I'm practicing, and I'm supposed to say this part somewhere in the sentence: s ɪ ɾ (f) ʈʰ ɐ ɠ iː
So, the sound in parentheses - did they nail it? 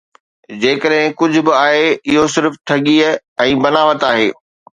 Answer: yes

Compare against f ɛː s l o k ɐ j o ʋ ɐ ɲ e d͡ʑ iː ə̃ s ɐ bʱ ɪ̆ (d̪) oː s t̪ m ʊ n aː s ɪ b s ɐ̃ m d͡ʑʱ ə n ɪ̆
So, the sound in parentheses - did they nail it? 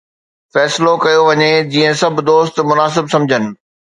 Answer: yes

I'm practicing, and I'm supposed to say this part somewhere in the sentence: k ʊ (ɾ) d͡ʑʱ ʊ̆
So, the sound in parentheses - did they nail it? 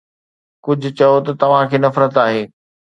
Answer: no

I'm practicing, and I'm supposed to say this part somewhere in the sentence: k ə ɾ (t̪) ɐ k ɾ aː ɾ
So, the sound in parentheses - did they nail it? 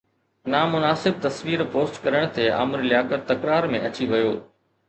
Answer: yes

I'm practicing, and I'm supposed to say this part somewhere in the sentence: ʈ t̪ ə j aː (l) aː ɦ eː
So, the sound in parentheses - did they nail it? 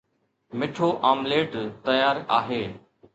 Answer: no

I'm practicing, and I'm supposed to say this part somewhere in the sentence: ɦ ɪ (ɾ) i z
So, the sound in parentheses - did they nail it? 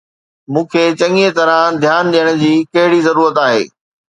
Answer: no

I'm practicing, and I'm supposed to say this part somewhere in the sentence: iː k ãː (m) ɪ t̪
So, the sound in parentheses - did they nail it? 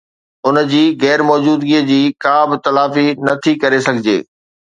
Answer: no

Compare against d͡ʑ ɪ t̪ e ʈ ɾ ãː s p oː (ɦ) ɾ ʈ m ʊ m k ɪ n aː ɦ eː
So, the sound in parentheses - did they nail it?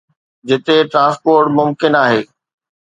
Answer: no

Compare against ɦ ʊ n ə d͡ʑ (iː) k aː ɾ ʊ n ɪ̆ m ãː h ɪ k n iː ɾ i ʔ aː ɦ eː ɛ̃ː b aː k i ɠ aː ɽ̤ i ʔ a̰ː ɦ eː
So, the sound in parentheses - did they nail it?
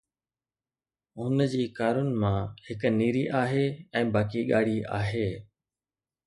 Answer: yes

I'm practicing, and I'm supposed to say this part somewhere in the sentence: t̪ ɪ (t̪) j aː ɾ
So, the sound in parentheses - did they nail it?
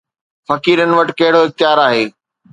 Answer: no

